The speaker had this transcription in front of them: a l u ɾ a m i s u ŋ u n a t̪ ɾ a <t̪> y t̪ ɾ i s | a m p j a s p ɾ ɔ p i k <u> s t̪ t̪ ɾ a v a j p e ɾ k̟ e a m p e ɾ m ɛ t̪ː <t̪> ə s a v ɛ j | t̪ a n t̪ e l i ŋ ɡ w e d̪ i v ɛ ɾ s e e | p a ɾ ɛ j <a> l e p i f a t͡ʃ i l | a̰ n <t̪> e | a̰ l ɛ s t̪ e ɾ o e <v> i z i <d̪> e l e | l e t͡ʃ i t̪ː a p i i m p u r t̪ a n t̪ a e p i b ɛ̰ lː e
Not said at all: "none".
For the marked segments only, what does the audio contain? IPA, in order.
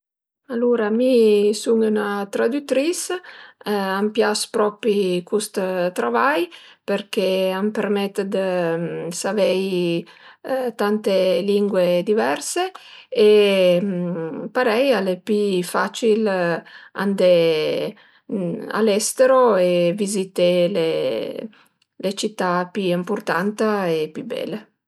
d̪, u, d̪, a, d̪, v, t̪

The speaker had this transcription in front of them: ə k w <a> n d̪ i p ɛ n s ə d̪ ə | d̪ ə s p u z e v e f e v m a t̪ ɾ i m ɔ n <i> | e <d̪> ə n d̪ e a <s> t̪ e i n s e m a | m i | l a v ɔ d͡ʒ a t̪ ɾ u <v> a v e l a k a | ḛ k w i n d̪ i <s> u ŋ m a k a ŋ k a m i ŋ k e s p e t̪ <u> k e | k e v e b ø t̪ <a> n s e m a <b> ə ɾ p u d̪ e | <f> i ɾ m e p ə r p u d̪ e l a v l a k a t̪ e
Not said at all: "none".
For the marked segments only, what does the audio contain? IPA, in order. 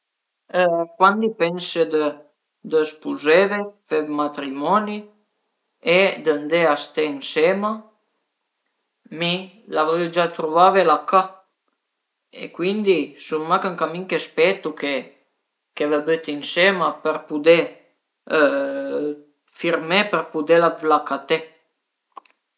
a, i, d̪, s, v, s, u, i, p, f

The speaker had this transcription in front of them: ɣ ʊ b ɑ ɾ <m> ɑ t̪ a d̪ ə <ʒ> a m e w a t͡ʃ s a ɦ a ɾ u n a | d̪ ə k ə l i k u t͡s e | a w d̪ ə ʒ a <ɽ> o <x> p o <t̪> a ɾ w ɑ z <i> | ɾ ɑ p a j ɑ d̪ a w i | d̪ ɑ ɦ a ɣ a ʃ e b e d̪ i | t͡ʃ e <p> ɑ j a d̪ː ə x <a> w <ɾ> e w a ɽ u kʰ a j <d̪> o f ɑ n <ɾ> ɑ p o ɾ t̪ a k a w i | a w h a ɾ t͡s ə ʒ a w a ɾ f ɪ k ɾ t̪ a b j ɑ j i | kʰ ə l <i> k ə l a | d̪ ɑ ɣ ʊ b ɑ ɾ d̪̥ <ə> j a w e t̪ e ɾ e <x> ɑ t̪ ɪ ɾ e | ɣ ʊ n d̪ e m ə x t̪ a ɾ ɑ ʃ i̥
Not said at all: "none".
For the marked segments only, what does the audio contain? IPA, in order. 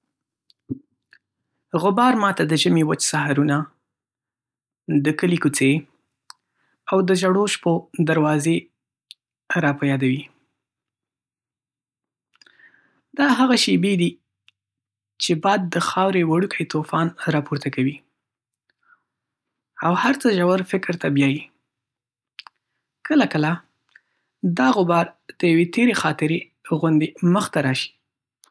m, ʒ, ɽ, ʃ, d̪, e, b, ɑ, ɾ, t̪, ɾ, a, ə, x

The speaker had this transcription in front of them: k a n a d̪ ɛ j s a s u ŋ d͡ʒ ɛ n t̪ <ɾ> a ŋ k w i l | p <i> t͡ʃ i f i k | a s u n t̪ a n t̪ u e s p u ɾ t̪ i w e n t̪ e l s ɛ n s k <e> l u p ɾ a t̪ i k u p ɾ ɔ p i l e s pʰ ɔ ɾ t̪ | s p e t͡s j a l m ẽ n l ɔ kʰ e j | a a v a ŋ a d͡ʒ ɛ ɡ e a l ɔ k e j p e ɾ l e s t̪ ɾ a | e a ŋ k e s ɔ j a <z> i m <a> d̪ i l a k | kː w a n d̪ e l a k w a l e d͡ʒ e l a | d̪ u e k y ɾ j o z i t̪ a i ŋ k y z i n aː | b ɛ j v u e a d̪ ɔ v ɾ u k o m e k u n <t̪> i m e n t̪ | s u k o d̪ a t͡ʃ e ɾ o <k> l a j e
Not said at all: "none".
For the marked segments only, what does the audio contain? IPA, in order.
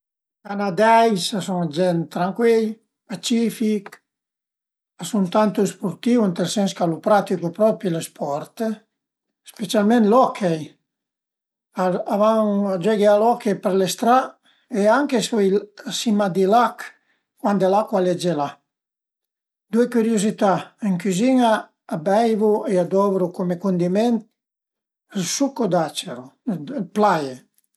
ɾ, a, a, s, a, d̪, p

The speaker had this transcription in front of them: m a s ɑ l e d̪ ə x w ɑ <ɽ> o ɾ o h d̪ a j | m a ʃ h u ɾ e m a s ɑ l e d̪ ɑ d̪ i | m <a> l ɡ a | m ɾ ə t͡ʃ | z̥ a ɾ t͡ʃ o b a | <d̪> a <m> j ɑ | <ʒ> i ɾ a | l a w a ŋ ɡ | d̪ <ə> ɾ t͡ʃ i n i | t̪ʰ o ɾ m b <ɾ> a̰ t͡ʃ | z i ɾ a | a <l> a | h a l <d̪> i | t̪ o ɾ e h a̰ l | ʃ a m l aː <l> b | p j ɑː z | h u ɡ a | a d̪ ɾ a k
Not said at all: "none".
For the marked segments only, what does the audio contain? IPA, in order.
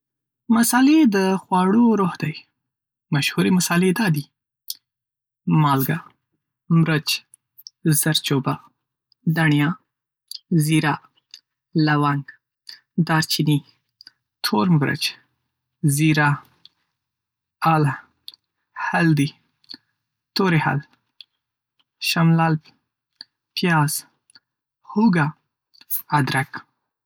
ɽ, ɑ, d̪, ɳ, z, ɑ, ɾ, l, d̪, l

